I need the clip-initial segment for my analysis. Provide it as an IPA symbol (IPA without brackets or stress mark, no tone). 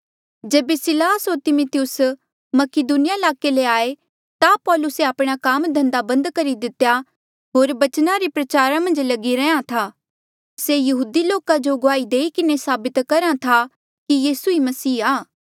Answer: d͡ʒ